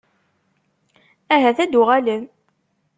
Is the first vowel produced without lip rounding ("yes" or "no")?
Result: yes